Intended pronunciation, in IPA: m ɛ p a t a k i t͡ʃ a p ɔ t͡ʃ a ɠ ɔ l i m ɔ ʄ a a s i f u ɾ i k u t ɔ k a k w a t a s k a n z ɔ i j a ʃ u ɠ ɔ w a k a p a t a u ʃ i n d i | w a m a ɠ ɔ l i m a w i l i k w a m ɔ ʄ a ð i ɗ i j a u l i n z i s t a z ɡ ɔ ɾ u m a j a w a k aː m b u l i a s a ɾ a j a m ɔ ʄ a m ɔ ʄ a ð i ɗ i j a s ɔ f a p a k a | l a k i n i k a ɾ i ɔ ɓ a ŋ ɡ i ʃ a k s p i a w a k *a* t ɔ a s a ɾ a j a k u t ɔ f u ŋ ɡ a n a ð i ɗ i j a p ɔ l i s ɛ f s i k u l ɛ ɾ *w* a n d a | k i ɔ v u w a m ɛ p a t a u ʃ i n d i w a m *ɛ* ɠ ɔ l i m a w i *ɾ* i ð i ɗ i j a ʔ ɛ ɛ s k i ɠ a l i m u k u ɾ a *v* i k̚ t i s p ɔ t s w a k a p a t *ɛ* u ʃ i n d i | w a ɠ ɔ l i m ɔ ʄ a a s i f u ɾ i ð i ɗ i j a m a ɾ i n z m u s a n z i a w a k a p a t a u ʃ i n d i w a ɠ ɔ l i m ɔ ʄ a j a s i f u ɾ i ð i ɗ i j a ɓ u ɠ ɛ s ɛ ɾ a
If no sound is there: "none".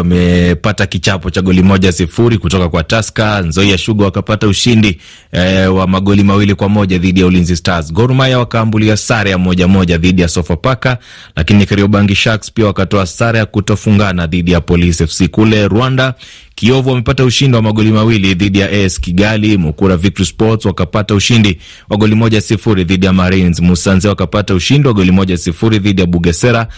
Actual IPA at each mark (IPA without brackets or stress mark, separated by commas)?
a, w, a, l, v, a